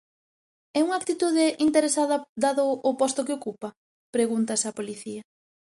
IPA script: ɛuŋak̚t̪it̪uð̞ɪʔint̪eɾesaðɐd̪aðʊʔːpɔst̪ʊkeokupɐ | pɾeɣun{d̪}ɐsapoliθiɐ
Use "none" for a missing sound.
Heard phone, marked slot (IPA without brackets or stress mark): t̪